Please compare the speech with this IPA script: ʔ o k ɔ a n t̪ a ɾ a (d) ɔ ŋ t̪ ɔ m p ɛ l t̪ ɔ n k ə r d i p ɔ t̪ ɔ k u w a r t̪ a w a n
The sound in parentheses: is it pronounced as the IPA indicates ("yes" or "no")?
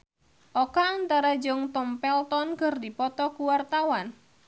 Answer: no